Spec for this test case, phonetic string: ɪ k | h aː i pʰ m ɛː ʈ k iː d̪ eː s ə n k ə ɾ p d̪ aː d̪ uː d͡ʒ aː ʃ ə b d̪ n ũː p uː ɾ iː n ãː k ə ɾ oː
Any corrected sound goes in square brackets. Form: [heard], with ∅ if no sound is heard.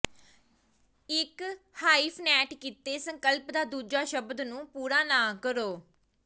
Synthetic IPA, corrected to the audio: ɪ k | h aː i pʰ [n] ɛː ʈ k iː [t̪] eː s ə [ŋ] k ə [l] p d̪ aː d̪ uː d͡ʒ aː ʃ ə b d̪ n ũː p uː ɾ [aː] n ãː k ə ɾ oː